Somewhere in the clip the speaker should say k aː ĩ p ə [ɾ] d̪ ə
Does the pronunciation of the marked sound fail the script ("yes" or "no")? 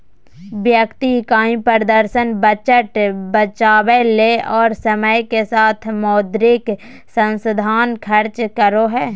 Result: no